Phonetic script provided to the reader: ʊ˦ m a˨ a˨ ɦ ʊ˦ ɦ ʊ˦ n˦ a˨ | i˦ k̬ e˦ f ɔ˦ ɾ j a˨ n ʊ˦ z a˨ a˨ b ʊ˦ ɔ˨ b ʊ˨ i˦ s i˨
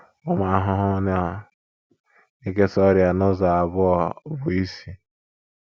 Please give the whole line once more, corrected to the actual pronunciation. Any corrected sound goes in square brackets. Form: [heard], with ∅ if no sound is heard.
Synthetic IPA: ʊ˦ m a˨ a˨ ɦ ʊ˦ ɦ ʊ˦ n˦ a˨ | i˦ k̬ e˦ [s] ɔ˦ ɾ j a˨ n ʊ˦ z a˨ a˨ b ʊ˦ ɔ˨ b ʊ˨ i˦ s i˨